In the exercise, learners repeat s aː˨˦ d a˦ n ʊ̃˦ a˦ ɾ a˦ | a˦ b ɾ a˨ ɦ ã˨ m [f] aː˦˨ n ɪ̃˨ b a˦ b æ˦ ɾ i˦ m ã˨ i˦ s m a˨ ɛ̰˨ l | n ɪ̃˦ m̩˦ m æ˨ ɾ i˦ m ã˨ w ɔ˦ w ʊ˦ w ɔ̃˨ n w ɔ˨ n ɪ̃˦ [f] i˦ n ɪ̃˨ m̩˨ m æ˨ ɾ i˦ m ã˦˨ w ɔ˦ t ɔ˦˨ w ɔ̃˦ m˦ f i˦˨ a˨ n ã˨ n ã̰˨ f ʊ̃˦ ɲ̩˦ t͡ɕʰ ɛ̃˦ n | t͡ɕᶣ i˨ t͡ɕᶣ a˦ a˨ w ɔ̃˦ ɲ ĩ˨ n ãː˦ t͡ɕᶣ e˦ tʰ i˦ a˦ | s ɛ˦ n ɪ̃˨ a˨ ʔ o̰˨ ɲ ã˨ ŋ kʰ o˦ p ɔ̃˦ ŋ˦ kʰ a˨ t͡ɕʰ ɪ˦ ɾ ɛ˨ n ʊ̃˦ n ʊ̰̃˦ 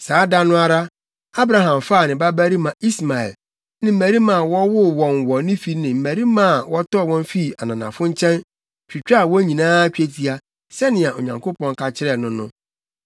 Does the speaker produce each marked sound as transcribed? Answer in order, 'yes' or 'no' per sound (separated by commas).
yes, yes